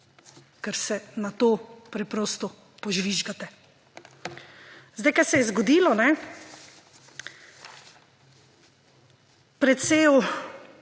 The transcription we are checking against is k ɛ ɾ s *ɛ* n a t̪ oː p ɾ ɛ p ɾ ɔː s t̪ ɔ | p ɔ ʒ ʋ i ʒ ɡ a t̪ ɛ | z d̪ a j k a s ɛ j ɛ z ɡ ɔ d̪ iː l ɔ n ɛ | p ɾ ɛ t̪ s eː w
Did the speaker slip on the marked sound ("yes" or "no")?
no